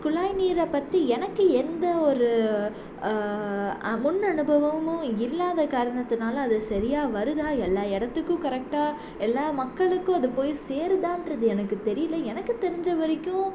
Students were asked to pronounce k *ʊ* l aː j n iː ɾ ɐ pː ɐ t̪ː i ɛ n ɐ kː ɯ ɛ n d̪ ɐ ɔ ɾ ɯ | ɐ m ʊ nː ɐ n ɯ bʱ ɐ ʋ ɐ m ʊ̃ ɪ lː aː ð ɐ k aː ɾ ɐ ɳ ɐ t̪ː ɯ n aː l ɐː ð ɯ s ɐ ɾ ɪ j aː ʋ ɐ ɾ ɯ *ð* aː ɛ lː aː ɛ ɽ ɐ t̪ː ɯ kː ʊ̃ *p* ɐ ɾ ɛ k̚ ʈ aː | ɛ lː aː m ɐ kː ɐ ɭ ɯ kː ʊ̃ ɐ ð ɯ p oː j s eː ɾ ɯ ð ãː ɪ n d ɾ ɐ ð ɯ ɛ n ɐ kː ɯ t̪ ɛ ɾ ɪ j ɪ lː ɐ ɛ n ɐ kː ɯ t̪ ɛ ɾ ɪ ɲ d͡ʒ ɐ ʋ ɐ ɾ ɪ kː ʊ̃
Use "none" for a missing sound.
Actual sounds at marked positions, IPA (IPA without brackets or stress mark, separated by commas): ʊ, ð, k